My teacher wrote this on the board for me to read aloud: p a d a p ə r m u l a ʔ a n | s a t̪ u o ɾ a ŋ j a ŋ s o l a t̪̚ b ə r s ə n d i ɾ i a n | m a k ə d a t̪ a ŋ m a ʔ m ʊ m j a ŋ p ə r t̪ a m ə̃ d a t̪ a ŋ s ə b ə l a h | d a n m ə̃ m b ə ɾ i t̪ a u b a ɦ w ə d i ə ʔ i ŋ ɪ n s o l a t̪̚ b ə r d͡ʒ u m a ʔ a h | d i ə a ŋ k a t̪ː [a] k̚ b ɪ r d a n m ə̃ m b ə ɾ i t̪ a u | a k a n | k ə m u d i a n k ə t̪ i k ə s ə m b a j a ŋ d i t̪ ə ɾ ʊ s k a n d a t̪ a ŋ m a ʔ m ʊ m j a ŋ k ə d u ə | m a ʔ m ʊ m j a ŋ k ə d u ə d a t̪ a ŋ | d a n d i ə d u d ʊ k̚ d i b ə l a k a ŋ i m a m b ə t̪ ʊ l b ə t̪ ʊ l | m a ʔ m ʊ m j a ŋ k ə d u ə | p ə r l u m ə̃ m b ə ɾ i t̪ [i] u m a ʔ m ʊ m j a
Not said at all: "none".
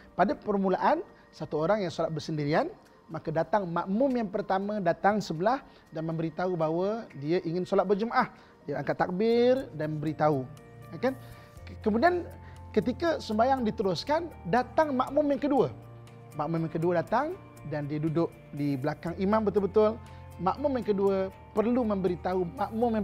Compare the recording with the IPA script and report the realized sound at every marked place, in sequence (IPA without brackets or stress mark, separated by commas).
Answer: a, a